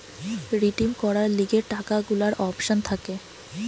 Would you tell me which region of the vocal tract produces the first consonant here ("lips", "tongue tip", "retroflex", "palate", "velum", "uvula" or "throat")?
tongue tip